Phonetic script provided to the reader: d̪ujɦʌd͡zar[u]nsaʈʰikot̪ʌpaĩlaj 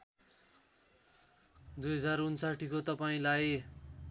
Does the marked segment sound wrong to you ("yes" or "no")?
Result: no